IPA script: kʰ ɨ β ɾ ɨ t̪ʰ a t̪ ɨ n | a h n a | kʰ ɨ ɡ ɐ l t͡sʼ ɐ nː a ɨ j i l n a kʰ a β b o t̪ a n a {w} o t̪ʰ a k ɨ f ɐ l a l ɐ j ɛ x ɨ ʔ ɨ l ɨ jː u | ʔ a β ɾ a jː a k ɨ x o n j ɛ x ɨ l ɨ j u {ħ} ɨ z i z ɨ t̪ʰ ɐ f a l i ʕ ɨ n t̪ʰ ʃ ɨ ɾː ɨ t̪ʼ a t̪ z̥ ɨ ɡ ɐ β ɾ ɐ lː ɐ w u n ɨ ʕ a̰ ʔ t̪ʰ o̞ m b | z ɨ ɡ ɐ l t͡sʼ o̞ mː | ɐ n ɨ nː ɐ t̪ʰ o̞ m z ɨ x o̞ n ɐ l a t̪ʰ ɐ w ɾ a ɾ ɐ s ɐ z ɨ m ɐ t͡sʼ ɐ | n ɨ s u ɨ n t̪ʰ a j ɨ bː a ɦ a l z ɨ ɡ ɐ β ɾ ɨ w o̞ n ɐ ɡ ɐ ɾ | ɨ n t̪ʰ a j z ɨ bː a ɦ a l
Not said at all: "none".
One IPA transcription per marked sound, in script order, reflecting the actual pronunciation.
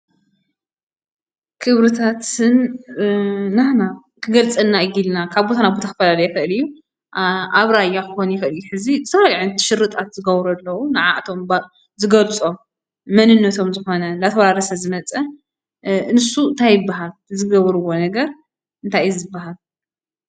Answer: b, ħ

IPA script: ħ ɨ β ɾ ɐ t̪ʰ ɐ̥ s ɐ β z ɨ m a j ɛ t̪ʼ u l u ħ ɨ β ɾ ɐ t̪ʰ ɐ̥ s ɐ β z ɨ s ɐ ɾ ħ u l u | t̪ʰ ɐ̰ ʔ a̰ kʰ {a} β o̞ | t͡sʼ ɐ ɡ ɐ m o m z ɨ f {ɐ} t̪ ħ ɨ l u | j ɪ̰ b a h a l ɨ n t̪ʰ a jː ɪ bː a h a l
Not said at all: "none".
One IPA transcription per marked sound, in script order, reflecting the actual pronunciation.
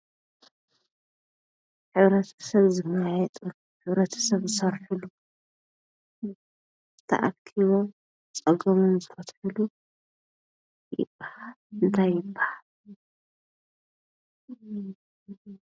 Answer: i, ɐ

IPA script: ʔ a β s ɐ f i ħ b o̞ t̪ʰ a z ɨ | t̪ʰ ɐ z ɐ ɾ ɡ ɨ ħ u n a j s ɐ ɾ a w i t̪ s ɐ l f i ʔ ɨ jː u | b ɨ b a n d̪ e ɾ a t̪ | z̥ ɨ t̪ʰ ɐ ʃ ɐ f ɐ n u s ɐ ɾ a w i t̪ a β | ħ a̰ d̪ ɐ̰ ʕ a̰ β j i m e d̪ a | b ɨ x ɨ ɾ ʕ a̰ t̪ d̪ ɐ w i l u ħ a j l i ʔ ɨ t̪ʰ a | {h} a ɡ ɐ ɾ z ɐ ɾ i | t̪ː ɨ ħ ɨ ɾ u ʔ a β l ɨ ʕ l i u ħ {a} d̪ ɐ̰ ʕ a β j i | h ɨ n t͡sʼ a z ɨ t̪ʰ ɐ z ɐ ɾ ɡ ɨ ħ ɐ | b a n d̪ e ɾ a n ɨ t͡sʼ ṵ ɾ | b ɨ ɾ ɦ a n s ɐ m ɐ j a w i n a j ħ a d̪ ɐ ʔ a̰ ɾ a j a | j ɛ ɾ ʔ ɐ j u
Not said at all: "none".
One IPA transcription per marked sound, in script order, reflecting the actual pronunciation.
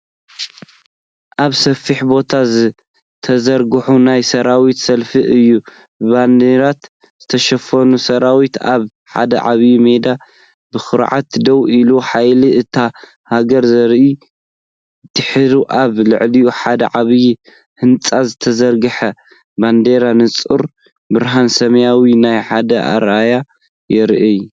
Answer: h, a

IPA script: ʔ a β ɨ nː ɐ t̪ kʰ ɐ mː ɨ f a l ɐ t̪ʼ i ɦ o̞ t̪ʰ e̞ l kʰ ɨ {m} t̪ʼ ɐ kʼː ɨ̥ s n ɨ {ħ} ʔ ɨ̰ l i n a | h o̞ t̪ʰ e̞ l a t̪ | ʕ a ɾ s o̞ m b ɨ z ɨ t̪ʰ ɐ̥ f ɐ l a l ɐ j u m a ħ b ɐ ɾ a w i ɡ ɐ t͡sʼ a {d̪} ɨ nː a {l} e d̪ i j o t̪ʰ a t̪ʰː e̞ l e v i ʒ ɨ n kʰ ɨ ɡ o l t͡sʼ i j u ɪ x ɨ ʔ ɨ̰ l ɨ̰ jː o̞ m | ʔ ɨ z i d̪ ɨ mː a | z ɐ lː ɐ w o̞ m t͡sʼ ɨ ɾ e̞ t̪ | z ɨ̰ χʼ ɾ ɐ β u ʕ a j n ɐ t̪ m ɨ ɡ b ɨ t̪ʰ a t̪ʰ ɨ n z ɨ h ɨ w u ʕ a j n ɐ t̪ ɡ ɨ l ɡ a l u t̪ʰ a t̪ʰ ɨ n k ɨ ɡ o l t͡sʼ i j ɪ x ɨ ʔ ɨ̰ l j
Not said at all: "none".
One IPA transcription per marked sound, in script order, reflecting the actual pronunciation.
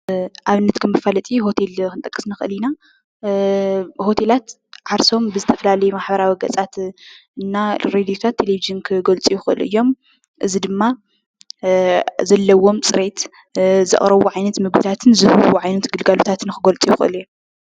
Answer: n, x, t̪, ɾ

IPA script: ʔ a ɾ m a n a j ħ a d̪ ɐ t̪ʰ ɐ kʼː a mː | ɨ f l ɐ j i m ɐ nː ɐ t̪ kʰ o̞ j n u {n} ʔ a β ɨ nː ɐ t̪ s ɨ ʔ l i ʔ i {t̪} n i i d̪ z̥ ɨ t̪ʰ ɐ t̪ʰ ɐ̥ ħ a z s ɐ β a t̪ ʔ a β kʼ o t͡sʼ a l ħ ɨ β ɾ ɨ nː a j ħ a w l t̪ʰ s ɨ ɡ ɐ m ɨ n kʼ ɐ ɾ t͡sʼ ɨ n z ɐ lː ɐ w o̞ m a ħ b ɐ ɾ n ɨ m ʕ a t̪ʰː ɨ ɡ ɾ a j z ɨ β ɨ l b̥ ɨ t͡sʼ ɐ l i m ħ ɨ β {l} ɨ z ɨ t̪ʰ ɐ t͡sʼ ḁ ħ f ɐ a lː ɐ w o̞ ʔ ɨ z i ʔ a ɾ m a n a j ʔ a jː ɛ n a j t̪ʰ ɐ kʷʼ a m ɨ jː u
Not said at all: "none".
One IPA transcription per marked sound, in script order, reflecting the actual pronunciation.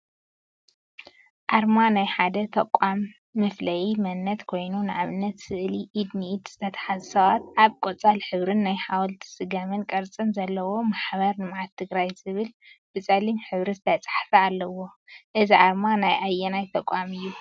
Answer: n, d̪, ɾ

